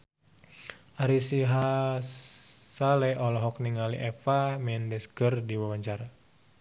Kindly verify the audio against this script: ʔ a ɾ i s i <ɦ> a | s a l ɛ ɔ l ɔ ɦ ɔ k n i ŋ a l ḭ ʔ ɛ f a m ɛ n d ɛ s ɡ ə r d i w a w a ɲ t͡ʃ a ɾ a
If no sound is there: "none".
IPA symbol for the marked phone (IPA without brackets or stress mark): ɦ